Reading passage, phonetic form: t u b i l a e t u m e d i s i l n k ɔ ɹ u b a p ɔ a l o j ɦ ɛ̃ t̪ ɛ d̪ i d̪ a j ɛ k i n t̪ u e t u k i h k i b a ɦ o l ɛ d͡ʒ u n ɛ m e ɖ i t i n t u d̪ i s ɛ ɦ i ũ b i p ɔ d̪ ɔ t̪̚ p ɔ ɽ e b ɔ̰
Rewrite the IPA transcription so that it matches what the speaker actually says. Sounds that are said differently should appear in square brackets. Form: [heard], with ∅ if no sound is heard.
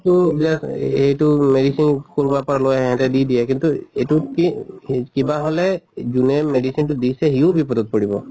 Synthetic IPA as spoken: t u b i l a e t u m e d i s i [∅] n k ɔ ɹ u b a p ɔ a l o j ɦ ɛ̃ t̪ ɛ d̪ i d̪ [i] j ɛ k i n t̪ u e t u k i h k i b a ɦ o l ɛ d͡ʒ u n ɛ m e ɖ i [s] i n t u d̪ i s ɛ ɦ i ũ b i p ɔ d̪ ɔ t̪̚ p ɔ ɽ [i] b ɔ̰